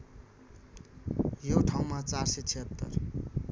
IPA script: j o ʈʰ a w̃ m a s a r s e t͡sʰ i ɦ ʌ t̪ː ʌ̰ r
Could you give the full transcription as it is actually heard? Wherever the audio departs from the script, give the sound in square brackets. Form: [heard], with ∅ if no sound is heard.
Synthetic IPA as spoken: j o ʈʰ a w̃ m a [t͡s] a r s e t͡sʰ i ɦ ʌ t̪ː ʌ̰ r